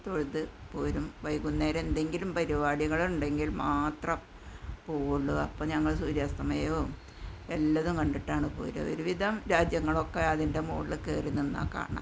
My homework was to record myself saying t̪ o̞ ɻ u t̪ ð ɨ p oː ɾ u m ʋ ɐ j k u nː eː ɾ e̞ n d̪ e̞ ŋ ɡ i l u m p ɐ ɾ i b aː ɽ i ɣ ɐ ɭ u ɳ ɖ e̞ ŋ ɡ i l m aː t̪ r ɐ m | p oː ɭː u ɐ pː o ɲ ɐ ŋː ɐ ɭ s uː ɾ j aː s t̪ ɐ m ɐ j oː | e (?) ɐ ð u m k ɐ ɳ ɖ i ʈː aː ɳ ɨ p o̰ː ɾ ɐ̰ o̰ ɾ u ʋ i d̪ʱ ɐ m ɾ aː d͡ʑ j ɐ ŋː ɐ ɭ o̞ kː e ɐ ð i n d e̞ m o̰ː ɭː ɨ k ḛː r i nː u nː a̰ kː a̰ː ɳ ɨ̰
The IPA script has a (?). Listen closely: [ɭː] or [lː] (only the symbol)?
lː